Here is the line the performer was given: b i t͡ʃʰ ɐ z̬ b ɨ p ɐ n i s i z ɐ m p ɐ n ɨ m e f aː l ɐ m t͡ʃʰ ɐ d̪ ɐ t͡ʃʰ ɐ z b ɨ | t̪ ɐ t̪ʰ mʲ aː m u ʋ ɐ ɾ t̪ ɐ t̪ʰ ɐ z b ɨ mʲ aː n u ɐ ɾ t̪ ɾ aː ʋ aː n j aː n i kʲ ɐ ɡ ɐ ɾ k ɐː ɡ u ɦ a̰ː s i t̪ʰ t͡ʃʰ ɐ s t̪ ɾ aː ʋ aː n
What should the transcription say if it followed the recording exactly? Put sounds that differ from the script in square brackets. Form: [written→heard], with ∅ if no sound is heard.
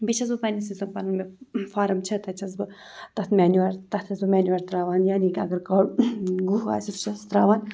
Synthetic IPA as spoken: b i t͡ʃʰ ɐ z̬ b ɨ p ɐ n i s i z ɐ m p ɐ n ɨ m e f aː [l→ɾ] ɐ m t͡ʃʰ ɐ [d̪→t̪] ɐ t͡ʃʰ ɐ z b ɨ | t̪ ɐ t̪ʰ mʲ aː [m→n] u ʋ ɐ ɾ t̪ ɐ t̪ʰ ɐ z b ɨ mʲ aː n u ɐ ɾ t̪ ɾ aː ʋ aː n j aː n i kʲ ɐ ɡ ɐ ɾ k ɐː ɡ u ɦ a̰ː s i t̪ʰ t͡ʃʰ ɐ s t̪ ɾ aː ʋ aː n

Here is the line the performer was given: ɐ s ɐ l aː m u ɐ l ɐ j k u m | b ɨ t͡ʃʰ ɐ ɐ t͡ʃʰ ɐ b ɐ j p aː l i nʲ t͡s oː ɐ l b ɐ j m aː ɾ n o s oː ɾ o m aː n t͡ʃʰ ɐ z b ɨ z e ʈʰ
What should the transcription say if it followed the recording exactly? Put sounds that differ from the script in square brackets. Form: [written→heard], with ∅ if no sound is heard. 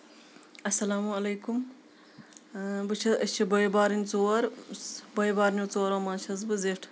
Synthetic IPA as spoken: ɐ s ɐ l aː m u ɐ l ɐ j k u m | b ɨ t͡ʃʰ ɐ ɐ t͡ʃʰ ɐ b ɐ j [p→b] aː [l→ɾ] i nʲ t͡s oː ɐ [l→ɾ] b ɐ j [m→b] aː ɾ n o [s→t͡s] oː ɾ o m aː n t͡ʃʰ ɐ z b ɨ z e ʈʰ

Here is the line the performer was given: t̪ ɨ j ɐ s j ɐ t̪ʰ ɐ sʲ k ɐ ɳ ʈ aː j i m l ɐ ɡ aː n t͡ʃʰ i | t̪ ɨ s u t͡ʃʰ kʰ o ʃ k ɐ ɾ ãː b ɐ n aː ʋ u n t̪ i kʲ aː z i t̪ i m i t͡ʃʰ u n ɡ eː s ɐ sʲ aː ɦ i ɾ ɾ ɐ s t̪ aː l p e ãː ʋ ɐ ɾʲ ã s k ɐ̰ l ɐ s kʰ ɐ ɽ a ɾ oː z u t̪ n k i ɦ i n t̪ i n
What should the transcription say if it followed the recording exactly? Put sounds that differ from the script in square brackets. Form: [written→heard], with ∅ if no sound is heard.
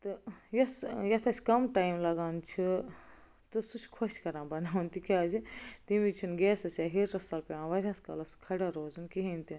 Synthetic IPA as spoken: t̪ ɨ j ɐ s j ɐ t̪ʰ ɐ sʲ k ɐ [ɳ→m] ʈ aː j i m l ɐ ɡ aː n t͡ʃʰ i | t̪ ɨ s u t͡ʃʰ kʰ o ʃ k ɐ ɾ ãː b ɐ n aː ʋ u n t̪ i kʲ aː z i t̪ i m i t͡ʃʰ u n ɡ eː s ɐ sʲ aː ɦ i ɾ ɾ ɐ s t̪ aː l p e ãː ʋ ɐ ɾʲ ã s k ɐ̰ l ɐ s kʰ ɐ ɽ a ɾ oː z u [t̪→∅] n k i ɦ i n t̪ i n

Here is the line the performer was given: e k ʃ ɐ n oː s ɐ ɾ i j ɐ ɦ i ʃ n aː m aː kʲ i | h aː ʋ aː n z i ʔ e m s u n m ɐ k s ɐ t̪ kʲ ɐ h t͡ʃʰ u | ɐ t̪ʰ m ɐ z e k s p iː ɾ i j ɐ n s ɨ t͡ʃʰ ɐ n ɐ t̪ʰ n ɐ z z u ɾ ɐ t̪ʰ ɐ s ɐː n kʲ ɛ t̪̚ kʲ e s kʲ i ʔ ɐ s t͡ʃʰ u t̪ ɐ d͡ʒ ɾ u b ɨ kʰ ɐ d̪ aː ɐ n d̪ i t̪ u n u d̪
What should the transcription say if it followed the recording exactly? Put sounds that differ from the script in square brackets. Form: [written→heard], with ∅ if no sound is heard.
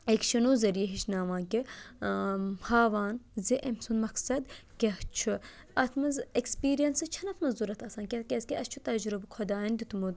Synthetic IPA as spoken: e k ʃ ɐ n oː [s→z] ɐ ɾ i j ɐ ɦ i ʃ n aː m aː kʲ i | h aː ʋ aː n z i ʔ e m s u n m ɐ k s ɐ [t̪→d̪] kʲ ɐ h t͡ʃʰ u | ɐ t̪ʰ m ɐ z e k s p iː ɾ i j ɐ n s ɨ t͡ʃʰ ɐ n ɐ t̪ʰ [n→m] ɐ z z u ɾ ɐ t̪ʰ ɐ s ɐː n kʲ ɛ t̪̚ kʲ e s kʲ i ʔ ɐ s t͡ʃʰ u t̪ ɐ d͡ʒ ɾ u b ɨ kʰ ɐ d̪ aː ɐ n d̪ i t̪ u [n→m] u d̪

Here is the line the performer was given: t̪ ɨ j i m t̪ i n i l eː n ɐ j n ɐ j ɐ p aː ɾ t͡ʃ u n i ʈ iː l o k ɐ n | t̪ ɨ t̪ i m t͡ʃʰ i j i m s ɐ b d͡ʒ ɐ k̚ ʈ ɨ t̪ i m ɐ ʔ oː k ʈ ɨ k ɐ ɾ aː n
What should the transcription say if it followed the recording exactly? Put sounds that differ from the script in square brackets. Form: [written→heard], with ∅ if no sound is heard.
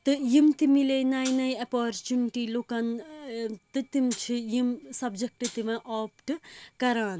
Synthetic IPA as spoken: t̪ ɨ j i m t̪ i [n→m] i l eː n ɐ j n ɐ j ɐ p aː ɾ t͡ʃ u n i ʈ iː l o k ɐ n | t̪ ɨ t̪ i m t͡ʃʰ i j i m s ɐ b d͡ʒ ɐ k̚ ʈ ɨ t̪ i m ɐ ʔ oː [k→p] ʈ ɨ k ɐ ɾ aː n

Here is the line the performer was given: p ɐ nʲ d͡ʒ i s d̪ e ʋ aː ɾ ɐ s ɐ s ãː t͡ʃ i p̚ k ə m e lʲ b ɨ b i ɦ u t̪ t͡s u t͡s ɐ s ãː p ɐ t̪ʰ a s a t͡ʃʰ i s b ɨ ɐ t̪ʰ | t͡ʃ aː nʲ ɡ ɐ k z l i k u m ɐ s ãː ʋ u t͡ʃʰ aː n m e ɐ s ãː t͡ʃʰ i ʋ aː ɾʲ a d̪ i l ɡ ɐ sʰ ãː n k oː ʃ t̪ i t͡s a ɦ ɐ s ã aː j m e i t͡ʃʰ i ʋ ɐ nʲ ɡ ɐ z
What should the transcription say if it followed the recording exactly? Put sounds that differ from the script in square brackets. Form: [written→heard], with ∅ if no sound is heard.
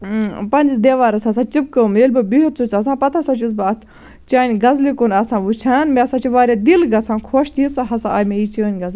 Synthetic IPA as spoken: p ɐ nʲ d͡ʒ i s d̪ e ʋ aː ɾ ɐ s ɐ s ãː t͡ʃ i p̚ k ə m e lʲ b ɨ b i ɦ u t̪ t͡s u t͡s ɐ s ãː p ɐ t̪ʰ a s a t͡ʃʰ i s b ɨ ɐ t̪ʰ | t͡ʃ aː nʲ ɡ ɐ [k→∅] z l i k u [m→n] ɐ s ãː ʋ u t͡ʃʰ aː n m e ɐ s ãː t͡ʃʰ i ʋ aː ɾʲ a d̪ i l ɡ ɐ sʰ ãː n [k→kʰ] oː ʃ t̪ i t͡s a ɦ ɐ s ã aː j m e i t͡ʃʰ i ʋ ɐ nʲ ɡ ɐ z

